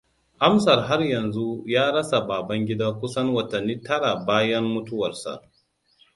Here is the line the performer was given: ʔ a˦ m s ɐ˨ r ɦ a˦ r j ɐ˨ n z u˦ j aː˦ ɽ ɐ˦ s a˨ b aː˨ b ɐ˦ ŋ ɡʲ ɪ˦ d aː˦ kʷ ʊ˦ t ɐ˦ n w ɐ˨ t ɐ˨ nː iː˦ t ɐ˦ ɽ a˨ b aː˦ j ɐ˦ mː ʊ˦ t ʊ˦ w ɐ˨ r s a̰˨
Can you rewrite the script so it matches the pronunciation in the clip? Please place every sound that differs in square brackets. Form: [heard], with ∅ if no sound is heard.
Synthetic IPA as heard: ʔ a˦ m s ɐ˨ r ɦ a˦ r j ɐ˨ n z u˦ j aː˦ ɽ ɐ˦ s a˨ b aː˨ b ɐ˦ ŋ ɡʲ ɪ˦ d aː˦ kʷ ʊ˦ [s] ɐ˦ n w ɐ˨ t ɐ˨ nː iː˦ t ɐ˦ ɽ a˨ b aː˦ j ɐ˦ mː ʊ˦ t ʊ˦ w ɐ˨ r s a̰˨